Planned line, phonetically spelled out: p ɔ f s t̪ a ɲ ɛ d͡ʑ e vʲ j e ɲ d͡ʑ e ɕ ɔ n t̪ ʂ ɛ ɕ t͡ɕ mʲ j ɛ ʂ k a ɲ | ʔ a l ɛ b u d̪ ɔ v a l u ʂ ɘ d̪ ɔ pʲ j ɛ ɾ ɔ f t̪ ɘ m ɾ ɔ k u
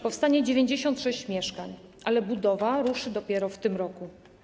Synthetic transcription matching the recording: p ɔ f s t̪ a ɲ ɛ d͡ʑ e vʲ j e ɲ d͡ʑ e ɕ ɔ n t̪ ʂ ɛ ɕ t͡ɕ mʲ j ɛ ʂ k a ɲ | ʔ a l ɛ b u d̪ ɔ v a ɾ u ʂ ɘ d̪ ɔ pʲ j ɛ ɾ ɔ f t̪ ɘ m ɾ ɔ k u